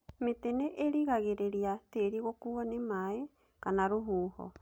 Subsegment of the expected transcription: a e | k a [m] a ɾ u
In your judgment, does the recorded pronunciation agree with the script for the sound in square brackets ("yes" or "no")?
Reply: no